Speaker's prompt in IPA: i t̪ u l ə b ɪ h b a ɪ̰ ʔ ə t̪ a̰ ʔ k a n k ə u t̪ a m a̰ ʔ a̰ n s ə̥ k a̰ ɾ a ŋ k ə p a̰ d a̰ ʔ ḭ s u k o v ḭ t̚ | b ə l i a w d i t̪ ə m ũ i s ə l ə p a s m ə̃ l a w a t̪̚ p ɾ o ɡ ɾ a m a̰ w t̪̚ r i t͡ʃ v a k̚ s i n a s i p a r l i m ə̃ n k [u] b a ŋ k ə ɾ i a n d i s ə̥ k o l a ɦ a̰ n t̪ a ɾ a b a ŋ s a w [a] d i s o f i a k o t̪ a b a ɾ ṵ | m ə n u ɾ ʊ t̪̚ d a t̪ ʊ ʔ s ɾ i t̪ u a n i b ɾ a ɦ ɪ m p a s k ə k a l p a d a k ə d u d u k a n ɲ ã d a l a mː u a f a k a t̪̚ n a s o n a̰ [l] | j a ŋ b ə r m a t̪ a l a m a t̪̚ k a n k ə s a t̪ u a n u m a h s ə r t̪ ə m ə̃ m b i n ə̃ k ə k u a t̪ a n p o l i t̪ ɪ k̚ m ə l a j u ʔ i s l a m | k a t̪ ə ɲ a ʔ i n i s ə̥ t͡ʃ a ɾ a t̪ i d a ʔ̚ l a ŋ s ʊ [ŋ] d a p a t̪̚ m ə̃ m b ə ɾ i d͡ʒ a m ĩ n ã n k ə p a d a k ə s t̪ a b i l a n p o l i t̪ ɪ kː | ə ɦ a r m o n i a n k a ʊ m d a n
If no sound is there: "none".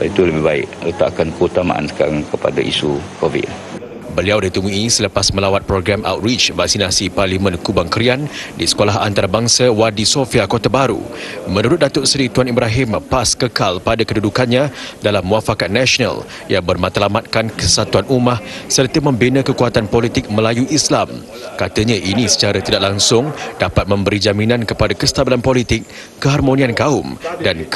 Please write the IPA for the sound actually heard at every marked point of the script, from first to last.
u, a, l, ŋ

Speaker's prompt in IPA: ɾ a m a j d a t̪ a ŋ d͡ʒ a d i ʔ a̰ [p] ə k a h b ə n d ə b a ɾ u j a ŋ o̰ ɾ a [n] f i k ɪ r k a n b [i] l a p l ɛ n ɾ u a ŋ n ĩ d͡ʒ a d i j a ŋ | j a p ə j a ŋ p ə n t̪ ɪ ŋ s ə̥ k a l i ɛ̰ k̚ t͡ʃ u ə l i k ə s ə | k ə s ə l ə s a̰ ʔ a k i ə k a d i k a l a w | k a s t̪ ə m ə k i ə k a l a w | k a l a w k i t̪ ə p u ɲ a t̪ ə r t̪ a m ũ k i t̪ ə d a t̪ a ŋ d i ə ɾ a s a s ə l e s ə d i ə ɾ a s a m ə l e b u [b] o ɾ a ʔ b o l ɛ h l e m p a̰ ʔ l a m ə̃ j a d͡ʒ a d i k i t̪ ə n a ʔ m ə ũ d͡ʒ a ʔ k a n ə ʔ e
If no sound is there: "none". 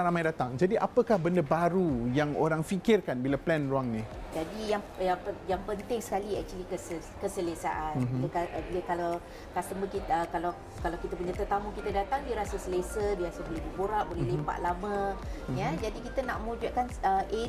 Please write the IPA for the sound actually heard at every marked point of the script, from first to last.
p, ŋ, i, b

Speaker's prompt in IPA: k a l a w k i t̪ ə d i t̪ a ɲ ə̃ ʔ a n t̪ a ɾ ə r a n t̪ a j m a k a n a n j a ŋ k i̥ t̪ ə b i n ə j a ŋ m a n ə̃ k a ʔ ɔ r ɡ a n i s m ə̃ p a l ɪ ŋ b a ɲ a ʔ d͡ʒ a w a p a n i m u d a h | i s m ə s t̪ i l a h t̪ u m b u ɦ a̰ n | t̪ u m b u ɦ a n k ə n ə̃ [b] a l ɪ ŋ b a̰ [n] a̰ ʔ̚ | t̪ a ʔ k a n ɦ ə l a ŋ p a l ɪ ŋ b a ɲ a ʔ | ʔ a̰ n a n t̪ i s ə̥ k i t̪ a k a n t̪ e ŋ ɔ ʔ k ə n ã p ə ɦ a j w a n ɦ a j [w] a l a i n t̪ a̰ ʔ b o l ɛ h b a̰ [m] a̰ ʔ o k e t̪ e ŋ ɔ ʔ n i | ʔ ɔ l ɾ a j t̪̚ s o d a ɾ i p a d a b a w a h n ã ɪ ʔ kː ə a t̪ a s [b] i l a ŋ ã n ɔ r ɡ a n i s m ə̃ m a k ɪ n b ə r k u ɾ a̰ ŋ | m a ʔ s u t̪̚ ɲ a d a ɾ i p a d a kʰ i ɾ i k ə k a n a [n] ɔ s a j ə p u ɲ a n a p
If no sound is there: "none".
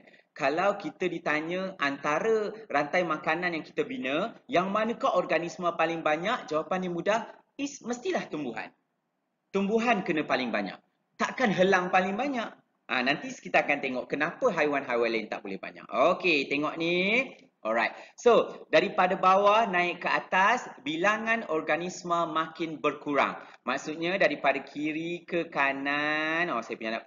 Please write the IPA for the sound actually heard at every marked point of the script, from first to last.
p, ɲ, w, ɲ, b, n

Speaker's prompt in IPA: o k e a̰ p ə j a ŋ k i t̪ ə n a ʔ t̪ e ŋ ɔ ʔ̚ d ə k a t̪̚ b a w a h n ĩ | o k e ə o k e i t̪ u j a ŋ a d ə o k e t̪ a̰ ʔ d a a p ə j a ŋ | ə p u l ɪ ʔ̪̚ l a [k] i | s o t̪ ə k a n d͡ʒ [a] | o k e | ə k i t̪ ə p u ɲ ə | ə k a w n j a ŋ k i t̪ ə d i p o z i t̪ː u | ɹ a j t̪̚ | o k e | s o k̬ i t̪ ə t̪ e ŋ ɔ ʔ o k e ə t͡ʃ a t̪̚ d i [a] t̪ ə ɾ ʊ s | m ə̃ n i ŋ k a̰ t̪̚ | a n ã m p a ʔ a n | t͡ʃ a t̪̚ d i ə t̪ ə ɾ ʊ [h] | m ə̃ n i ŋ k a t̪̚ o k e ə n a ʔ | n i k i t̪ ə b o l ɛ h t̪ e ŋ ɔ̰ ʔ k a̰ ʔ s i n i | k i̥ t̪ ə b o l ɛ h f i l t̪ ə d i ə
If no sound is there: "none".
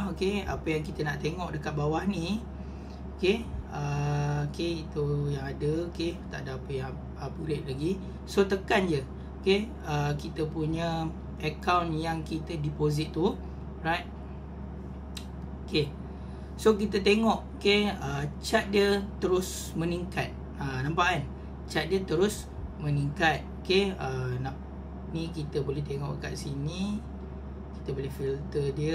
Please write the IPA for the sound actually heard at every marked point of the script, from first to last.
ɡ, ə, ə, s

